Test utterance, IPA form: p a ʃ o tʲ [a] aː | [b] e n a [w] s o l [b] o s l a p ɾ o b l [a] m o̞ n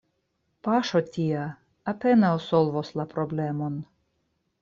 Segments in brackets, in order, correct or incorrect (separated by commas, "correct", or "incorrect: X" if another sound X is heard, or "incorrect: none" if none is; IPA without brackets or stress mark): incorrect: i, incorrect: p, correct, incorrect: v, incorrect: e